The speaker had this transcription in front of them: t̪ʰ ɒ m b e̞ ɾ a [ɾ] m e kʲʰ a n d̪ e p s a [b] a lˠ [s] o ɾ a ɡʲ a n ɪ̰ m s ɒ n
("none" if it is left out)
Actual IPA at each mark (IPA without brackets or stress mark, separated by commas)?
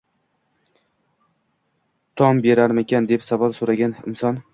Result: ɾ, v, s